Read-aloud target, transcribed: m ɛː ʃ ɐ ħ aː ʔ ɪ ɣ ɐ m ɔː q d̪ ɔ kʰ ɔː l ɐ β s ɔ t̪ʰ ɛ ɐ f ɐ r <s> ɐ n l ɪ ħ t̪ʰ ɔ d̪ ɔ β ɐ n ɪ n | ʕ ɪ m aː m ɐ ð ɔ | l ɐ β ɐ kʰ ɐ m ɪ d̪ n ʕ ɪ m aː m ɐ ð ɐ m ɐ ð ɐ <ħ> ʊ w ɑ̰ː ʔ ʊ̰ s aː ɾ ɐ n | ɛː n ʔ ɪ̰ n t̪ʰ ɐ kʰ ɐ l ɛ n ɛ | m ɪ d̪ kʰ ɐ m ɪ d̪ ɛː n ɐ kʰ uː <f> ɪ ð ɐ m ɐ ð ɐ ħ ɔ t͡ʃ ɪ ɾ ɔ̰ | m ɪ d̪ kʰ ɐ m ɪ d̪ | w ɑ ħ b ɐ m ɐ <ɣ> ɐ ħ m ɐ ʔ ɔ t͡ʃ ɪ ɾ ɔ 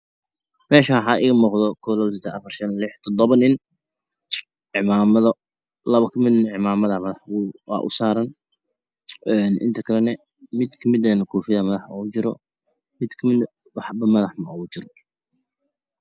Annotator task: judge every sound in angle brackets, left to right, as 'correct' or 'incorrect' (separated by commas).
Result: incorrect, correct, correct, incorrect